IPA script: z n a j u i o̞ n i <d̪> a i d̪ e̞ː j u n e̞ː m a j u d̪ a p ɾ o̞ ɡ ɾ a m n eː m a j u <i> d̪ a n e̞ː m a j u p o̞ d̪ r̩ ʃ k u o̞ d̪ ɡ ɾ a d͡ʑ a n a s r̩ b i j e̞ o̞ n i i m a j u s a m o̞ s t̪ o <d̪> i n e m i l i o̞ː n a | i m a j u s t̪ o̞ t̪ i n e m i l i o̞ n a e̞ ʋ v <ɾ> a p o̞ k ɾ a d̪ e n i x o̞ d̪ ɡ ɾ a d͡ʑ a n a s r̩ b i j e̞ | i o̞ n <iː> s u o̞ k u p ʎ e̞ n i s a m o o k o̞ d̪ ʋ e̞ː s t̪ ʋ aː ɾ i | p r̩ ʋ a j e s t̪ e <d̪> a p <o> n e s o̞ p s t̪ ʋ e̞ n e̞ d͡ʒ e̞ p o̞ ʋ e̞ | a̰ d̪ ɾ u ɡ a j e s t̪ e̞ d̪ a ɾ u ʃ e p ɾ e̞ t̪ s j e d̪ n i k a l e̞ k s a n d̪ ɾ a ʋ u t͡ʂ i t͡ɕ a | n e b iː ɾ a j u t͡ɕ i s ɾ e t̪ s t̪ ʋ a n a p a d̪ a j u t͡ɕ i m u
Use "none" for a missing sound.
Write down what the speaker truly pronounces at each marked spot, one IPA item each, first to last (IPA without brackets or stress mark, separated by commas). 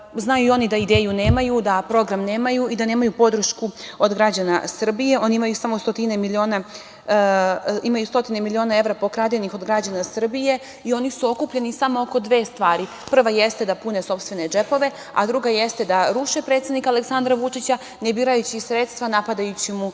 d̪, i, t̪, ɾ, i, d̪, u